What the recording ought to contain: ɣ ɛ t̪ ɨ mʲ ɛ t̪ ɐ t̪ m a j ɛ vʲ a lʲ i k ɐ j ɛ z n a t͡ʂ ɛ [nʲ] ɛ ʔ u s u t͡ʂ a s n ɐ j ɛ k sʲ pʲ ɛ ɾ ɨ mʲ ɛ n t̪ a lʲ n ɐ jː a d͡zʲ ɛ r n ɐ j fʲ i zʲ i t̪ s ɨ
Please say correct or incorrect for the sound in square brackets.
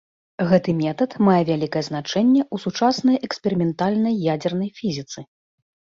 incorrect